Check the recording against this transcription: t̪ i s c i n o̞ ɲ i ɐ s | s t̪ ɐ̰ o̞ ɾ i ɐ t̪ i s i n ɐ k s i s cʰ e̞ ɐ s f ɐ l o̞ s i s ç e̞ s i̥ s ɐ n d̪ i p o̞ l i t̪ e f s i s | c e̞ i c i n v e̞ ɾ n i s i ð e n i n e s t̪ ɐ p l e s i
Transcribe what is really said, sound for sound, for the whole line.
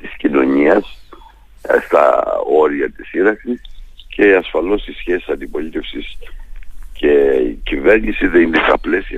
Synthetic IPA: t̪ i s c i n o̞ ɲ i ɐ s | s t̪ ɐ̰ o̞ ɾ i ɐ t̪ i s i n ɐ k s i s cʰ e̞ ɐ s f ɐ l o̞ s i s ç e̞ s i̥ s ɐ n d̪ i p o̞ l i t̪ e f s i s | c e̞ i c i v e̞ ɾ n i s i ð e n i n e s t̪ ɐ p l e s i